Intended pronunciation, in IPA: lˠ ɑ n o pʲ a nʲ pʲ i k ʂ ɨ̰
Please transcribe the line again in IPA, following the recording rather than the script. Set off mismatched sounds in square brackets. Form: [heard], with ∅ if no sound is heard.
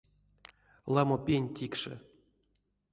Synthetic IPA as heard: lˠ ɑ [m] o pʲ [e] nʲ [tʲ] i k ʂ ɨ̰

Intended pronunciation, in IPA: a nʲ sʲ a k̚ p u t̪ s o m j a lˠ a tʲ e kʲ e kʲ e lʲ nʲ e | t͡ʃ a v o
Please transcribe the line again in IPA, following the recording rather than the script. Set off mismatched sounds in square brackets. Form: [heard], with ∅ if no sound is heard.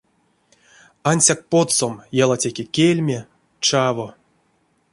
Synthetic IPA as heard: a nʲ sʲ a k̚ p [o] t̪ s o m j a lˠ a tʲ e kʲ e kʲ e lʲ [mʲ] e | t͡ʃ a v o

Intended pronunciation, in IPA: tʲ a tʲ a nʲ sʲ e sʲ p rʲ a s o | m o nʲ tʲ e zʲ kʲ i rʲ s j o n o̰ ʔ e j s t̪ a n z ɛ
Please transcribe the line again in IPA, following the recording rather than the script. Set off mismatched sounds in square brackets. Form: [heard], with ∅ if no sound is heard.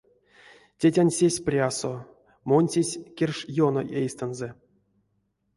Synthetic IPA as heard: tʲ [e] tʲ a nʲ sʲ e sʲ p rʲ a s o | m o nʲ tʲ e [sʲ] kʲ [e] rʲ [ʂ] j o n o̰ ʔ e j s t̪ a n z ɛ

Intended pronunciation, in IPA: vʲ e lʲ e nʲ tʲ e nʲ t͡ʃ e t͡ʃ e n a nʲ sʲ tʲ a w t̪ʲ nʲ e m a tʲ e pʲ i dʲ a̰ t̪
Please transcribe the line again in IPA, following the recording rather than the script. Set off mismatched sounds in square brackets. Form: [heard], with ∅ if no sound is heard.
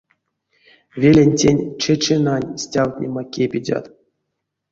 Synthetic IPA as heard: vʲ e lʲ e nʲ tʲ e nʲ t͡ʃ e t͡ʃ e n a nʲ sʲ tʲ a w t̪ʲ nʲ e m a [kʲ] e pʲ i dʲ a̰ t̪

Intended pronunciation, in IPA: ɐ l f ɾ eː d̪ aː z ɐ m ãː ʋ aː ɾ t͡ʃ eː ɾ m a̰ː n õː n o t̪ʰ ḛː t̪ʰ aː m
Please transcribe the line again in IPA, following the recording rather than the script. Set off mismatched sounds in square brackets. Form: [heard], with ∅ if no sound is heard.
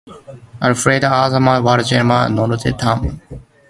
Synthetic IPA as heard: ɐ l f ɾ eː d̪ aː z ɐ m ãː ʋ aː ɾ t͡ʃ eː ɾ m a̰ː n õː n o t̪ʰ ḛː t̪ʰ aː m

